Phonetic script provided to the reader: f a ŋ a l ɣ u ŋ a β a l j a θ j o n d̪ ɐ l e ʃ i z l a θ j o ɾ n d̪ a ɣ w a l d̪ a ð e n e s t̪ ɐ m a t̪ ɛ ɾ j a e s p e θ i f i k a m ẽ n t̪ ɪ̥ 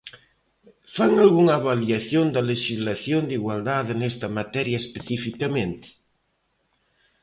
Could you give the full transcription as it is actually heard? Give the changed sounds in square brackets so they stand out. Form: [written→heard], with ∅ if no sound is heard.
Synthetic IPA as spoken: f a ŋ a l ɣ u ŋ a β a l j a θ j o n d̪ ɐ l e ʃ i z l a θ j o [ɾ→∅] n d̪ [a→i] ɣ w a l d̪ a ð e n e s t̪ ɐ m a t̪ ɛ ɾ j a e s p e θ i f i k a m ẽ n t̪ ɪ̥